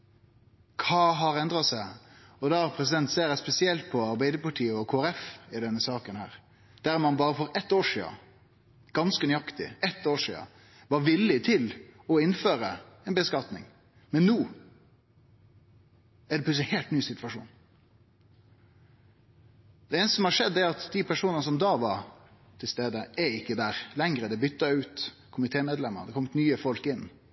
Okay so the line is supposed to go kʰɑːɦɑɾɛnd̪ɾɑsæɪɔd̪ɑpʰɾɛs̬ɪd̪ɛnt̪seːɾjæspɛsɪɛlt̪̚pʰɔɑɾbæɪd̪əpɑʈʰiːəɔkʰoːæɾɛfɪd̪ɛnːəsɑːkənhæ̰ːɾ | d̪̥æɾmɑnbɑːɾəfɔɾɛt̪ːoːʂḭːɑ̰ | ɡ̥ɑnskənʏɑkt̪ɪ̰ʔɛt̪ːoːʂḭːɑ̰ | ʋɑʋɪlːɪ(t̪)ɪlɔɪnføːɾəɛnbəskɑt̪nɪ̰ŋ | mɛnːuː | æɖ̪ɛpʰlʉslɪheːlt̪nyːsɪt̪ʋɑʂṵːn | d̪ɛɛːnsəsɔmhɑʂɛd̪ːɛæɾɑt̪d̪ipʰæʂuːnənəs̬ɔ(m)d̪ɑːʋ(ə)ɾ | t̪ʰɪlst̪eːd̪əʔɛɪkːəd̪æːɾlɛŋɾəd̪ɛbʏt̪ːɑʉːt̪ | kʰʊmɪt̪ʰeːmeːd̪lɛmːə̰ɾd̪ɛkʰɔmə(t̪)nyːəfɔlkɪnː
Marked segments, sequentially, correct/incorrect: incorrect, correct, incorrect, correct

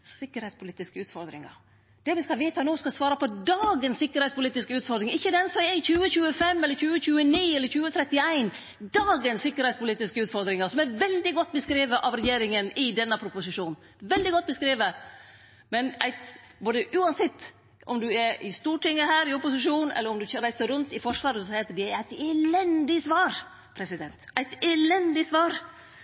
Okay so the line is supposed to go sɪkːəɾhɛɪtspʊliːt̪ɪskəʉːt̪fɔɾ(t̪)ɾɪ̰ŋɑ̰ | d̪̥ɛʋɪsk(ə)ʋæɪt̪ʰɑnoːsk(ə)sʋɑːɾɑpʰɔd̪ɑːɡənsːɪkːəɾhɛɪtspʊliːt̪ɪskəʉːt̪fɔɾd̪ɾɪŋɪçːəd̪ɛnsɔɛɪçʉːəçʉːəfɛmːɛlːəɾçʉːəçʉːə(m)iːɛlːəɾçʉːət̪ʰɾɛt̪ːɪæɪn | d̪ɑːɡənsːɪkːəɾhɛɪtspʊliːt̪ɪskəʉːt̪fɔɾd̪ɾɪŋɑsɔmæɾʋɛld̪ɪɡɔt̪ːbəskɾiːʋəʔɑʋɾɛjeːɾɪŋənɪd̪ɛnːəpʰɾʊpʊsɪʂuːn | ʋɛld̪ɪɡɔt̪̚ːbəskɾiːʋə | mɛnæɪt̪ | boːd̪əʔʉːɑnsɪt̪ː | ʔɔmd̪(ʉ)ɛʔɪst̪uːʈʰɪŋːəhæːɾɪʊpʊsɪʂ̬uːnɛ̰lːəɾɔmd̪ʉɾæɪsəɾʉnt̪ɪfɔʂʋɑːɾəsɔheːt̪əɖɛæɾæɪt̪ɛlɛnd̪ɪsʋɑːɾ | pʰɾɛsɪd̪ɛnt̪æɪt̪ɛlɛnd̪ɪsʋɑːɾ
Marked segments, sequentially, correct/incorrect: incorrect, incorrect, incorrect, incorrect, correct

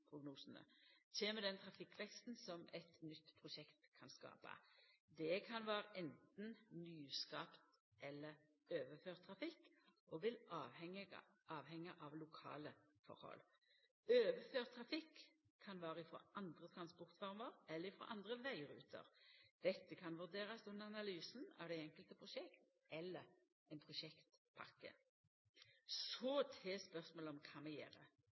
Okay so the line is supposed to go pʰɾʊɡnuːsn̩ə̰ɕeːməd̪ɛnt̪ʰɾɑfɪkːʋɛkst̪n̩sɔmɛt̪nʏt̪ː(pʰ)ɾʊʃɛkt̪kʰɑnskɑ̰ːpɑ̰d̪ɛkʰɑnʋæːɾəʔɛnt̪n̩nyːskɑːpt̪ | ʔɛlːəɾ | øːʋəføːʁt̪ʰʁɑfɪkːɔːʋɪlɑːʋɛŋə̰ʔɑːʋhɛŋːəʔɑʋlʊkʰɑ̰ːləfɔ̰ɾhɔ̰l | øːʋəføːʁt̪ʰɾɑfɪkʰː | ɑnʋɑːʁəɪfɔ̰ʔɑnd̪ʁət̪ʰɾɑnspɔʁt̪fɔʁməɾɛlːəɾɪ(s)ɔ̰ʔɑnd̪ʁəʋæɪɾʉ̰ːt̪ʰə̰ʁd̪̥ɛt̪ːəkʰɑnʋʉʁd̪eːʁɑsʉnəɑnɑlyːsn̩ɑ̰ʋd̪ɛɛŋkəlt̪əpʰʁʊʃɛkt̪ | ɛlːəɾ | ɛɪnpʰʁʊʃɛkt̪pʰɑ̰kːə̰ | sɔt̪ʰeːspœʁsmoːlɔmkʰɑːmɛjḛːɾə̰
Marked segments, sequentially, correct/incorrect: correct, incorrect

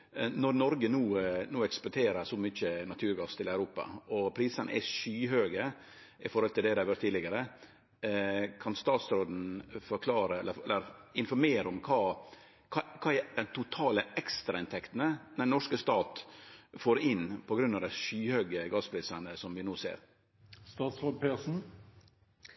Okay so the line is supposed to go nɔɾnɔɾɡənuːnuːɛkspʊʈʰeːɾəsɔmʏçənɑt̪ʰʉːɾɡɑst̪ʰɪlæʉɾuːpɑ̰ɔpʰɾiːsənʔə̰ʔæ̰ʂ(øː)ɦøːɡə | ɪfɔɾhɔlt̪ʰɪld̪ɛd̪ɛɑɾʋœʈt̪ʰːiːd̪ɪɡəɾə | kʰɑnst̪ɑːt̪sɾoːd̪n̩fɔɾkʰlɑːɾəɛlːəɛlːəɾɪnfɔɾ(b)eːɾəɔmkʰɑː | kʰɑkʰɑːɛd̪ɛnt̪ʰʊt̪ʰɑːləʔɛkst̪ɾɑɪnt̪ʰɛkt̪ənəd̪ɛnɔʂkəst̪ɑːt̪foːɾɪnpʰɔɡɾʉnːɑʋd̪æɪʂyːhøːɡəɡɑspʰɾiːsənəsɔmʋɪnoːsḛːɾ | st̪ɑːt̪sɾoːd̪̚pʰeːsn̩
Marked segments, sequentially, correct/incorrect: incorrect, incorrect

